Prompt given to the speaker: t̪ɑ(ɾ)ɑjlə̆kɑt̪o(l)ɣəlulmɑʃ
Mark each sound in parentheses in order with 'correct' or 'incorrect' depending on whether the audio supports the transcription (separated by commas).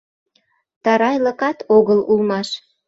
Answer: correct, incorrect